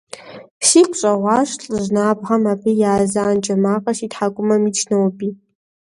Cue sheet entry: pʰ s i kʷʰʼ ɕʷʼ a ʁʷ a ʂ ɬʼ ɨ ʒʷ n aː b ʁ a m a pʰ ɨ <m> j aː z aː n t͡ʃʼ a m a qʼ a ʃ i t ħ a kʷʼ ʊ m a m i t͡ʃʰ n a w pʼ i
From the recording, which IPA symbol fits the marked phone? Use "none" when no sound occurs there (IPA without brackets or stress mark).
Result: none